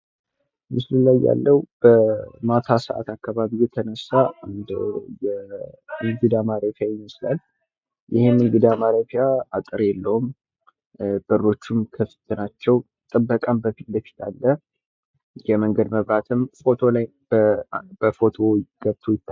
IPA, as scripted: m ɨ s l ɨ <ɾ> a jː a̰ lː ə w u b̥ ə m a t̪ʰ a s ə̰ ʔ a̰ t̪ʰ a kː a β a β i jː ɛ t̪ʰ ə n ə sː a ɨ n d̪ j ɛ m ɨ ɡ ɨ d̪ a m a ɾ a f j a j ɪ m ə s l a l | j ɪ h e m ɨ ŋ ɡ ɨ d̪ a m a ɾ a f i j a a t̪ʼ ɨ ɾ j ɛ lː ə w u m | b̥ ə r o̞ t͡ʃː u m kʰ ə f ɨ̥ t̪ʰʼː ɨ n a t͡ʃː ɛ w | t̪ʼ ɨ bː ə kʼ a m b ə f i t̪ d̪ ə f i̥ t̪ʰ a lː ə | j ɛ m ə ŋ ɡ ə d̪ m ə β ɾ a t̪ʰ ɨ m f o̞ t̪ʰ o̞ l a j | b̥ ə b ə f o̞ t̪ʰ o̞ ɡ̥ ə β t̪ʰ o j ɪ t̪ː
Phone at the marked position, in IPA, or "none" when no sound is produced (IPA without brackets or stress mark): l